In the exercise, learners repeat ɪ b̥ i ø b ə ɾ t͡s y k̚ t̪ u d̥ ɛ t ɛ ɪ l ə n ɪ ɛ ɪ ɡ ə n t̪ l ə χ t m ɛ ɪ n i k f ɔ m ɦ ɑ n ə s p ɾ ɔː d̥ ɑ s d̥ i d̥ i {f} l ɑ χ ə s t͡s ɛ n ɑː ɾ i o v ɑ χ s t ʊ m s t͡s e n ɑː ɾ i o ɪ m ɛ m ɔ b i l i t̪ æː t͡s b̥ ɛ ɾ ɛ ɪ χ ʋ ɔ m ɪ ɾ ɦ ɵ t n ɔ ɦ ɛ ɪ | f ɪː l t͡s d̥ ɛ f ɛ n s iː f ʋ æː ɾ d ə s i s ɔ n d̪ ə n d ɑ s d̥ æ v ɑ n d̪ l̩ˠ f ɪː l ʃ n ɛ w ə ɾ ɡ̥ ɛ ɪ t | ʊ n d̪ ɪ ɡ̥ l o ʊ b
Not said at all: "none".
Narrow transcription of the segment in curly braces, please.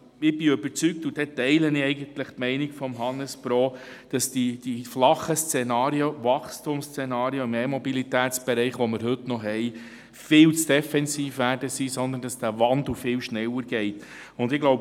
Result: f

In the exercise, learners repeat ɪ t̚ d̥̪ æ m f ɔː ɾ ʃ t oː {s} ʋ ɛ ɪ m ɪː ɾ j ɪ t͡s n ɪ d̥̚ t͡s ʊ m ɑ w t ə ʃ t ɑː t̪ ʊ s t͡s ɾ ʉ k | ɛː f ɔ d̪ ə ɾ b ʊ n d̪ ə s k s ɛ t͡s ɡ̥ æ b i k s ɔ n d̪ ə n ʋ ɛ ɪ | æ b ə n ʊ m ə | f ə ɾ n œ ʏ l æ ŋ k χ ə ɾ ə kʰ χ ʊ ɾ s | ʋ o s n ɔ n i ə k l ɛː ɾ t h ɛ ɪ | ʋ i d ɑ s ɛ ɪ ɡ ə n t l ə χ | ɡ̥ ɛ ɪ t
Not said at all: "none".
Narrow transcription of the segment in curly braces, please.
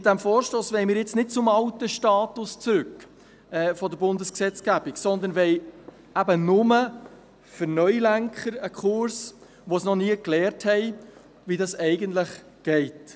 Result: s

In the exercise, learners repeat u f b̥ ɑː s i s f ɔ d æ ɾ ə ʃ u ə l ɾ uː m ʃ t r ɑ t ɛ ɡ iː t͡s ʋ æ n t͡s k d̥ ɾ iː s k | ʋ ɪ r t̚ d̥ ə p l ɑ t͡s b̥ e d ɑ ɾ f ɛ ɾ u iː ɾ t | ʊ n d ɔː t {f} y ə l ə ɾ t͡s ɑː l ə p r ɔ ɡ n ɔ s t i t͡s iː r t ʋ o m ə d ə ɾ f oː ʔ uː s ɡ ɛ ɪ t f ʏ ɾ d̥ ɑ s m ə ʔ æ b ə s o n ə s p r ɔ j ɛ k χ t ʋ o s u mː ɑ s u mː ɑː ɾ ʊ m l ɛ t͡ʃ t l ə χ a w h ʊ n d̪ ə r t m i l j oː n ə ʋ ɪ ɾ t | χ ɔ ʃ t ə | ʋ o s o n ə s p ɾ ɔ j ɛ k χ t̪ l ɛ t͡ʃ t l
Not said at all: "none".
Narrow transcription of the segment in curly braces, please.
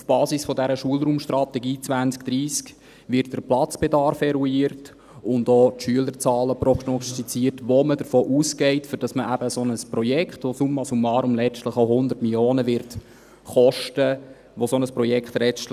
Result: ʃ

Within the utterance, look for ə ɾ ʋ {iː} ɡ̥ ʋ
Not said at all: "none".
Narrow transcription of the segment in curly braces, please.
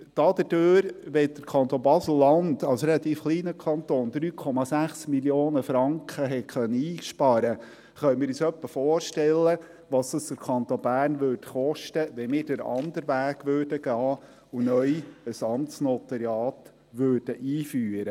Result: æː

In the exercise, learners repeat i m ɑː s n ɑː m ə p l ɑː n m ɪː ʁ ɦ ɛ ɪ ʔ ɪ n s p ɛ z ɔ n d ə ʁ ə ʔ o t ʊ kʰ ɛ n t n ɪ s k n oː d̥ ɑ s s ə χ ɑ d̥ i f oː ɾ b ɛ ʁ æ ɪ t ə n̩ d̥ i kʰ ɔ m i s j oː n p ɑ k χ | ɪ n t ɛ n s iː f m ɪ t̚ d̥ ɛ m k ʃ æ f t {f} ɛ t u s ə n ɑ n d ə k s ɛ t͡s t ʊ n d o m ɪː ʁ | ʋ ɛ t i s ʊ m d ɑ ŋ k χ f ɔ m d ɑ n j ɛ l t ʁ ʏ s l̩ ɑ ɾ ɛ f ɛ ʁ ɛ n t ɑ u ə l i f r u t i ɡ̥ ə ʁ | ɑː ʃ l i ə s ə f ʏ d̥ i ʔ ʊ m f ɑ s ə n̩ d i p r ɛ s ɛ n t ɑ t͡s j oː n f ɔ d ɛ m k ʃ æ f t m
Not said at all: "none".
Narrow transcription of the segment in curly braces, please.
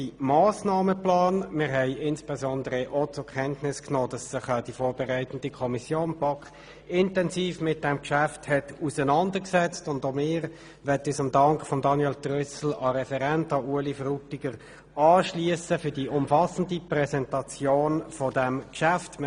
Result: h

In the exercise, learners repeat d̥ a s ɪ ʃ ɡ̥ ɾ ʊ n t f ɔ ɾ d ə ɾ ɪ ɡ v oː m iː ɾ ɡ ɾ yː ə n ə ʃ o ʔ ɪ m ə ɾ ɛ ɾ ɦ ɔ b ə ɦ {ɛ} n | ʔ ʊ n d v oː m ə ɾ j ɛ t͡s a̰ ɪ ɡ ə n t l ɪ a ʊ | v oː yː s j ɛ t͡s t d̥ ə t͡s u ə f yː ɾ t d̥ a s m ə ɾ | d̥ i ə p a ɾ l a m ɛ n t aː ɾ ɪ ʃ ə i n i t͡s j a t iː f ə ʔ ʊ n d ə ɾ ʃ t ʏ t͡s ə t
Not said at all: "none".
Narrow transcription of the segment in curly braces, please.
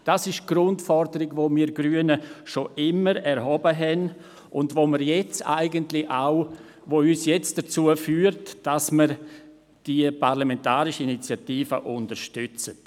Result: ɛ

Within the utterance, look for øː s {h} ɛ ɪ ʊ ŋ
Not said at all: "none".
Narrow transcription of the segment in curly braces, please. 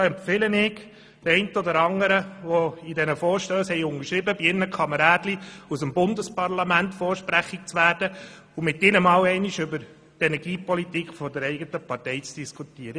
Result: h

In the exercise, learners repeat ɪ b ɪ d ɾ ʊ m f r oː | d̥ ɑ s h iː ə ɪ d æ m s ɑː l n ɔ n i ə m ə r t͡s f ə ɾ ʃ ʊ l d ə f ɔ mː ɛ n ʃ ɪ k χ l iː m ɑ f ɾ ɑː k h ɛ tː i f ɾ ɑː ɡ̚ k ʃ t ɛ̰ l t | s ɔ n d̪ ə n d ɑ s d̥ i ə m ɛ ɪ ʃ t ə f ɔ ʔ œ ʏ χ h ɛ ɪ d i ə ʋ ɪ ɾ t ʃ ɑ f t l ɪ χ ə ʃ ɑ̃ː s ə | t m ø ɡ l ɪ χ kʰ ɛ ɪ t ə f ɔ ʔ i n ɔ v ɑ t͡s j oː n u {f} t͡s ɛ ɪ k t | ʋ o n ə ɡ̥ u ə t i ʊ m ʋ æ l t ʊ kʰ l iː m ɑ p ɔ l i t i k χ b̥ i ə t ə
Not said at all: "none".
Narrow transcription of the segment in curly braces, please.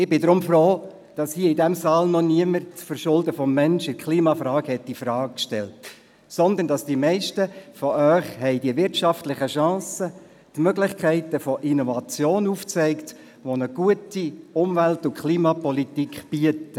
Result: f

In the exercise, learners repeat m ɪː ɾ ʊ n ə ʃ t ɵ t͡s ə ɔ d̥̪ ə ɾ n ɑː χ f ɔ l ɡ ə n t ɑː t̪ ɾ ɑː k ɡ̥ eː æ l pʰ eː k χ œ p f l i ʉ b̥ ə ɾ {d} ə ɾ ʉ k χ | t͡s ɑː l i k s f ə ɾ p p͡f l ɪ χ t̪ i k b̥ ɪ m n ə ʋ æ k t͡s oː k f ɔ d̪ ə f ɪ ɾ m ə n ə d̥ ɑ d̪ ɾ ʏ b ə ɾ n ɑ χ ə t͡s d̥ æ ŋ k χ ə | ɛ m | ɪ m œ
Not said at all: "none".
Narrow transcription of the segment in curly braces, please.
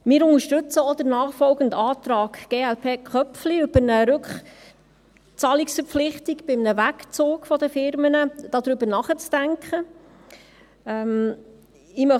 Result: n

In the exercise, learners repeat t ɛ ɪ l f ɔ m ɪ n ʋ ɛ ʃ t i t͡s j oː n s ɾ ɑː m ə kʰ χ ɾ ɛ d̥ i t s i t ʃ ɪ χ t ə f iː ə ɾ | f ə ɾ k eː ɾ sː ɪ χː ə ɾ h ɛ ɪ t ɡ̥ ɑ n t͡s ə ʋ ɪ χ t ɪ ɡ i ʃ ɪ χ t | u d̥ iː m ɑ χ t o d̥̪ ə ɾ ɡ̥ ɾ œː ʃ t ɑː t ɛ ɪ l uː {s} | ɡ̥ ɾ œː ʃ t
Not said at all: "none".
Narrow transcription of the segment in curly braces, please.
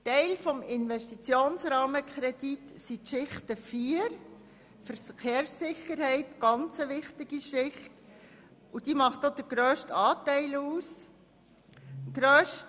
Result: s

